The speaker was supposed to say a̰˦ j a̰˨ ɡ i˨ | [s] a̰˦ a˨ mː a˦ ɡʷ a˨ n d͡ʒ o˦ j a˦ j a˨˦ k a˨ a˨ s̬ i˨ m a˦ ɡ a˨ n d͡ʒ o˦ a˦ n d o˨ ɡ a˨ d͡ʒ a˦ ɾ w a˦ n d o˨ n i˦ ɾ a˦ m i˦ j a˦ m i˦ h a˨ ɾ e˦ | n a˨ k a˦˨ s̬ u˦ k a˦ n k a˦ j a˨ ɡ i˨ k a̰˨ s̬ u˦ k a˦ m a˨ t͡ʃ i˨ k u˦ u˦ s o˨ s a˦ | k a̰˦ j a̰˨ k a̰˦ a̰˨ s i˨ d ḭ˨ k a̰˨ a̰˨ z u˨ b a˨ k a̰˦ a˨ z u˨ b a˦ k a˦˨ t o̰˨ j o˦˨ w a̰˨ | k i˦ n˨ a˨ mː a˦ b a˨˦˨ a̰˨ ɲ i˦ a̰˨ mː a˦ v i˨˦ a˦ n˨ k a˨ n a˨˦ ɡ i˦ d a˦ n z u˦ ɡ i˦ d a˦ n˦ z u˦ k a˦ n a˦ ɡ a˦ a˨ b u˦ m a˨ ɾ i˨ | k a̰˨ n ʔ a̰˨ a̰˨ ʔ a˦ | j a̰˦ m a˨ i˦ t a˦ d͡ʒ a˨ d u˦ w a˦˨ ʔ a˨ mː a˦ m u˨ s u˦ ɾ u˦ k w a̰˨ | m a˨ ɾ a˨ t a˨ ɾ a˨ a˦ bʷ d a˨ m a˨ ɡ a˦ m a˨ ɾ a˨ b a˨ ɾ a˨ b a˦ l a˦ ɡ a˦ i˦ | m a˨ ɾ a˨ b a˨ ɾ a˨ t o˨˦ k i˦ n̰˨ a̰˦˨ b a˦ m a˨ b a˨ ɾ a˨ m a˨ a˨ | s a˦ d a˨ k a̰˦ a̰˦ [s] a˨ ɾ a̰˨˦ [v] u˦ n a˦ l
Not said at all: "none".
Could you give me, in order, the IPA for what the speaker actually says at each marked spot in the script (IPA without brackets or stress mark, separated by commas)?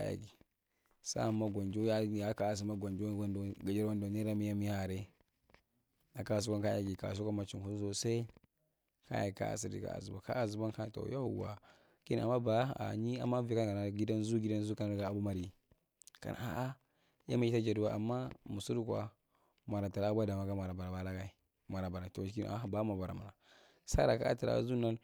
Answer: s, t, z